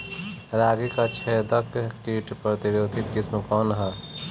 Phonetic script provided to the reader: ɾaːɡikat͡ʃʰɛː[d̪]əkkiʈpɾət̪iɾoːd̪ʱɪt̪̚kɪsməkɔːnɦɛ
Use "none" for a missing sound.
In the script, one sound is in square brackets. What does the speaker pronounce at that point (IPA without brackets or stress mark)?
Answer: d̪